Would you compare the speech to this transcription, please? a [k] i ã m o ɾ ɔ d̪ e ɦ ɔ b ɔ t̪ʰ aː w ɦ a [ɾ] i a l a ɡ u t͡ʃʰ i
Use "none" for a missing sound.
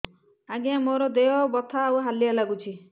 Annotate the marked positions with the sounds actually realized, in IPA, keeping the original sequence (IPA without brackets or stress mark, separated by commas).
ɡ, l